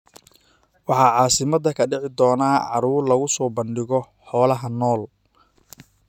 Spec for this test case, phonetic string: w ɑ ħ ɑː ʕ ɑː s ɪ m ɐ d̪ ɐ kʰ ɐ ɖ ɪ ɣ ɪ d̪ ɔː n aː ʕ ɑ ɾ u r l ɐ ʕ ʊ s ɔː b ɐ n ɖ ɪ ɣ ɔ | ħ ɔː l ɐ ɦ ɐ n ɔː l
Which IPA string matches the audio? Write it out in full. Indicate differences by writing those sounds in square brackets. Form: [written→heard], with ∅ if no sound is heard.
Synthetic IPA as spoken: w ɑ ħ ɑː ʕ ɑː s ɪ m ɐ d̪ ɐ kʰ ɐ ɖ ɪ [ɣ→ʕ] ɪ d̪ ɔː n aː ʕ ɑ ɾ [u→uː] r l ɐ [ʕ→ɣ] ʊ s ɔː b ɐ n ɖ ɪ ɣ ɔ | ħ ɔː l ɐ ɦ ɐ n ɔː l